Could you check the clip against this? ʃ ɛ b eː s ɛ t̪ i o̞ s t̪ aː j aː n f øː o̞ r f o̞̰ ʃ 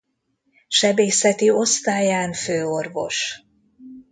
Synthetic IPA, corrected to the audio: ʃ ɛ b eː s ɛ t̪ i o̞ s t̪ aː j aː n f øː o̞ r v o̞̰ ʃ